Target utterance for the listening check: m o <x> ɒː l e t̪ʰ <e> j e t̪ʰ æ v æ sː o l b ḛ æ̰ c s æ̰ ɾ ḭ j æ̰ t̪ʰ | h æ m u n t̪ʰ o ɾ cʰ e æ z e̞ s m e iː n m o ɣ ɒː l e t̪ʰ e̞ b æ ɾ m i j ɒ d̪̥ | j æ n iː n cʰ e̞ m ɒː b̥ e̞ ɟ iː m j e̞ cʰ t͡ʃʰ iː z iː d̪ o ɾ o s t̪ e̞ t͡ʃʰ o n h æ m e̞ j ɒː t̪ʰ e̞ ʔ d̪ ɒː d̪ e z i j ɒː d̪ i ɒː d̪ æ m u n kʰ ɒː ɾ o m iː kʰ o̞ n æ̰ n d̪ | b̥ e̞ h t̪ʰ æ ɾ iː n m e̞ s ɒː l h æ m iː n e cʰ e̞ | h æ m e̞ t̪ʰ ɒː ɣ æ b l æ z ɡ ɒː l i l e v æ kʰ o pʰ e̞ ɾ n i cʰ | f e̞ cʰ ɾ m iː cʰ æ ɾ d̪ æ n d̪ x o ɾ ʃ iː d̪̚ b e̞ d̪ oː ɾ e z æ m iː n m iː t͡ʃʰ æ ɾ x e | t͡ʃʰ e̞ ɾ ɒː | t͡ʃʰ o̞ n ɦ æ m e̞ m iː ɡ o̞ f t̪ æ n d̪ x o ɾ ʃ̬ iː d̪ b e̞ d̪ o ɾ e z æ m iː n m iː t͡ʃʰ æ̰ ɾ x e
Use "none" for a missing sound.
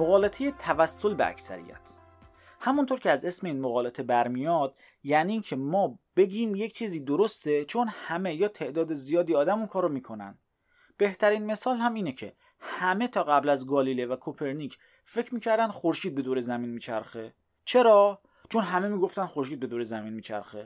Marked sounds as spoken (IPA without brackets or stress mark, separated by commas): ɣ, e